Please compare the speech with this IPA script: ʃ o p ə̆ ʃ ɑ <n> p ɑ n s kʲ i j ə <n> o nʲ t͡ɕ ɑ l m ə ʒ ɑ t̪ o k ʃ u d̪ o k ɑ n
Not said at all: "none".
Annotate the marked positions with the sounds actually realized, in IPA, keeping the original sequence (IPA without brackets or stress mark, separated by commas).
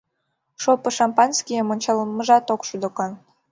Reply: m, m